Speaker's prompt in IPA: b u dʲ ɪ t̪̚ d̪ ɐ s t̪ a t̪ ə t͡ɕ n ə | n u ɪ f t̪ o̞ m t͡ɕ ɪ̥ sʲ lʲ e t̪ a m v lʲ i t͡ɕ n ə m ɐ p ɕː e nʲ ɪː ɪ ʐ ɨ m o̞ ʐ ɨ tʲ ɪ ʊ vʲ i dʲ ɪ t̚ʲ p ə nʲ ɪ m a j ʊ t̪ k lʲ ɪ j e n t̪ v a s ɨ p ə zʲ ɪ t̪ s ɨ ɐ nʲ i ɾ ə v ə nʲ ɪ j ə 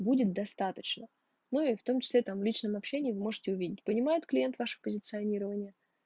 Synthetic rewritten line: b u dʲ ɪ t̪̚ d̪ ɐ s t̪ a t̪ ə t͡ɕ n ə | n u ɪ f t̪ o̞ m t͡ɕ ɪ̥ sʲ lʲ e t̪ a m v lʲ i t͡ɕ n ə m ɐ p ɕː e nʲ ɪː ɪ v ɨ m o̞ ʐ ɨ tʲ ɪ ʊ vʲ i dʲ ɪ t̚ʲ p ə nʲ ɪ m a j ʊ t̪ k lʲ ɪ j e n t̪ v a ʂ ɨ p ə zʲ ɪ t̪ s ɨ ɐ nʲ i ɾ ə v ə nʲ ɪ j ə